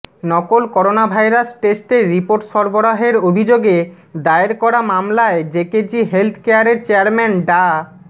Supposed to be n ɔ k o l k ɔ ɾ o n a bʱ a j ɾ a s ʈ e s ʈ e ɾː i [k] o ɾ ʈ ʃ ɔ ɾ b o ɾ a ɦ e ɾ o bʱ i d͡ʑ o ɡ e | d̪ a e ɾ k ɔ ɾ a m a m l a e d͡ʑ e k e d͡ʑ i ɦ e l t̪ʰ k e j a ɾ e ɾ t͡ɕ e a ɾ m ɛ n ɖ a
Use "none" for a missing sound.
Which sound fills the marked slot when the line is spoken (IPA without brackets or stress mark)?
p